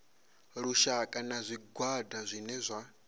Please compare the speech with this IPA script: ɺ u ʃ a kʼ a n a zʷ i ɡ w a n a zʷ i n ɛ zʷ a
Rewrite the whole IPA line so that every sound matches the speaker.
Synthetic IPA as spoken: ɺ u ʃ a kʼ a n a zʷ i ɡ w a d a zʷ i n ɛ zʷ a